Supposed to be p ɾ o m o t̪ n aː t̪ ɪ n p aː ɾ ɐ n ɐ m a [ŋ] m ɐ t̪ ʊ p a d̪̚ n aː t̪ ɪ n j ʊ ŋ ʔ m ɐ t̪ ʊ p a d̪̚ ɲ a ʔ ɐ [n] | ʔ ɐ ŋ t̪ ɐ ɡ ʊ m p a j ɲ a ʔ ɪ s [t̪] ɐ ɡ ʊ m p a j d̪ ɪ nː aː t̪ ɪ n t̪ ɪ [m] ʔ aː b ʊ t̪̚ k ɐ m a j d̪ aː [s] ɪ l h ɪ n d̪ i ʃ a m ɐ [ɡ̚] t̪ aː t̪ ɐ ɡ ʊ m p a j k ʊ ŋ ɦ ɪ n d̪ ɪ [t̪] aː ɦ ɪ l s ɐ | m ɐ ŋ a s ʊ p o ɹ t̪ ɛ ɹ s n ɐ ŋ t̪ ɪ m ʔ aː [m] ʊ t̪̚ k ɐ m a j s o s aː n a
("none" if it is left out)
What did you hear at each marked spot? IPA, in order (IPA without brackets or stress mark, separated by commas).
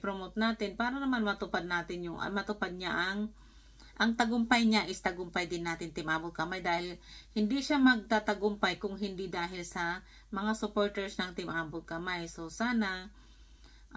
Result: n, ŋ, t̪, m, h, ɡ̚, d̪, b